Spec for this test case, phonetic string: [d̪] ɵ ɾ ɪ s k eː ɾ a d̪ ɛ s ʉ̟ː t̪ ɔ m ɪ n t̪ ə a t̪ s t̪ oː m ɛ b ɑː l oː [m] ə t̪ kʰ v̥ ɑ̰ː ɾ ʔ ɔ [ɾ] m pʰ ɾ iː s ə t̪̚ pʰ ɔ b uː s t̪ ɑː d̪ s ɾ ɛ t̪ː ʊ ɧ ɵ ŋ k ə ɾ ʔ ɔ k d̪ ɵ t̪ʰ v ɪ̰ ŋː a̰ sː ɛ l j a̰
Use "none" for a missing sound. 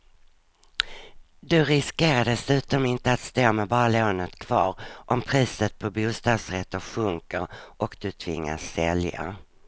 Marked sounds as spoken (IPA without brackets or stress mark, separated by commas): d̪, n, none